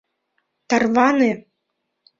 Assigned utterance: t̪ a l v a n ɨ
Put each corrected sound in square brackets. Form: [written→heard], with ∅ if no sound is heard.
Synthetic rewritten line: t̪ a [l→r] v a n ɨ